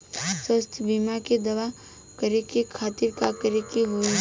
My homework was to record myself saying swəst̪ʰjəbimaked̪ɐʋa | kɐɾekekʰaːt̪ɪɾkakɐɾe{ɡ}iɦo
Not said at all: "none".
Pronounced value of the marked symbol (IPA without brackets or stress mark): k